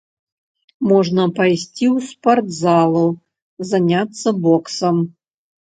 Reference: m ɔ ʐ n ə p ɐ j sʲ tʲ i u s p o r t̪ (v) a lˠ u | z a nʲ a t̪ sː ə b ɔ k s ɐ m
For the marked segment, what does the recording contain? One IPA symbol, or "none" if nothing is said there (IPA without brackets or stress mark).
z